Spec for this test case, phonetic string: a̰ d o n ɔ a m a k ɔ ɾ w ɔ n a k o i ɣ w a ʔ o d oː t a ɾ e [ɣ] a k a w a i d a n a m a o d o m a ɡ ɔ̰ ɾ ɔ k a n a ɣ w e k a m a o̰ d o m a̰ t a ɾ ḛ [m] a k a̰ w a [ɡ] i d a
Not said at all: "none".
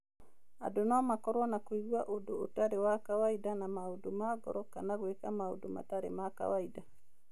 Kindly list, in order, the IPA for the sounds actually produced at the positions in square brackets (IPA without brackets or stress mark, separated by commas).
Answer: w, m, none